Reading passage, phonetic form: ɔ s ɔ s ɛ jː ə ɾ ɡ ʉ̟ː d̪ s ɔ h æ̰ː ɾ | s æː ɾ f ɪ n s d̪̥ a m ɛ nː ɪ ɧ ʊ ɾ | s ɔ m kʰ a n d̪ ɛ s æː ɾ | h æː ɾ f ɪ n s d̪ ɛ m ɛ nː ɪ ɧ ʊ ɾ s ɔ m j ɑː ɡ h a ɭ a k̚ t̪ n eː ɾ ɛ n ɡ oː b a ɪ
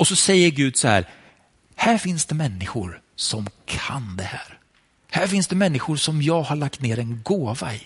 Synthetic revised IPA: ɔ s ɔ s ɛ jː ə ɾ ɡ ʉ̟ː d̪ s ɔ h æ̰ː ɾ | h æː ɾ f ɪ n s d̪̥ ɛ m ɛ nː ɪ ɧ ʊ ɾ | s ɔ m kʰ a n d̪ ɛ h æː ɾ | h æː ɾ f ɪ n s d̪ ɛ m ɛ nː ɪ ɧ ʊ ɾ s ɔ m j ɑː ɡ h a ɭ a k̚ t̪ n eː ɾ ɛ n ɡ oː v a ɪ